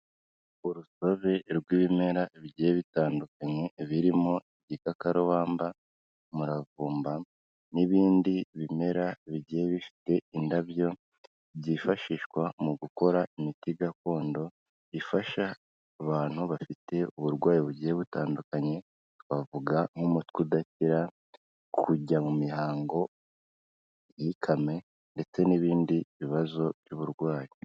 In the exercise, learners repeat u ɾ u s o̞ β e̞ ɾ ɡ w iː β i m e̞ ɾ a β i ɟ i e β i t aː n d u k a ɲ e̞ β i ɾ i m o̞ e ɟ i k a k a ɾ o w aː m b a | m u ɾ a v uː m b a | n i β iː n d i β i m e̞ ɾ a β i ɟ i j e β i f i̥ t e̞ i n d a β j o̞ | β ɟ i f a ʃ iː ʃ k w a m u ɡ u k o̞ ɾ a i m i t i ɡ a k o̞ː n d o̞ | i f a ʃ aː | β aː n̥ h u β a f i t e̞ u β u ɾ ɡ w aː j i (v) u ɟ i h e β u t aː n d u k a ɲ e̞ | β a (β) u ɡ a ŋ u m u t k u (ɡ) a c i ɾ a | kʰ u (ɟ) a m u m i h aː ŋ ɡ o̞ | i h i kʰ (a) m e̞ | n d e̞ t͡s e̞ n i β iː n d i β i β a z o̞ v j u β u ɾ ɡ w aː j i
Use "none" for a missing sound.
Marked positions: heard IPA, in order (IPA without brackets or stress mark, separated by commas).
β, v, d, ɟ, a